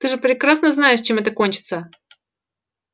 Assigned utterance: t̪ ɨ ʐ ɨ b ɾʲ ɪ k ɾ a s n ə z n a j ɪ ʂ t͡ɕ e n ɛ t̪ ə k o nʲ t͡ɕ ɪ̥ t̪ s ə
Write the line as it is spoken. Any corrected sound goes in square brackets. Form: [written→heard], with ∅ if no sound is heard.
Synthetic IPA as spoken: t̪ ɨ ʐ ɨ [b→p] ɾʲ ɪ k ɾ a s n ə z n a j ɪ ʂ t͡ɕ e [n→m] ɛ t̪ ə k o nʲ t͡ɕ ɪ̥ t̪ s ə